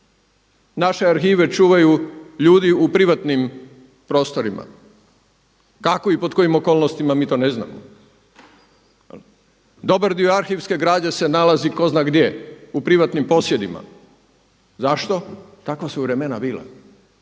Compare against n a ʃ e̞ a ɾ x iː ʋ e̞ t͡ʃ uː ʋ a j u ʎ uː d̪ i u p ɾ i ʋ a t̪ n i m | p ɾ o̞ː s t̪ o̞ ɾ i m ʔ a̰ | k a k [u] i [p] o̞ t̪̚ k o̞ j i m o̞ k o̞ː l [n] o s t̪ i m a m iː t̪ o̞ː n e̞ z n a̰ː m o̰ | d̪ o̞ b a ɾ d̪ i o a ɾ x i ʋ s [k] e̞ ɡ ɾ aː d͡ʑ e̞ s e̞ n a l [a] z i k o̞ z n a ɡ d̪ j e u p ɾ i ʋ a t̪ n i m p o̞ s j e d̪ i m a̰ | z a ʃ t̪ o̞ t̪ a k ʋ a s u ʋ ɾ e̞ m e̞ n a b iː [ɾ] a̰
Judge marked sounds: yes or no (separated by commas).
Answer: no, yes, yes, yes, yes, no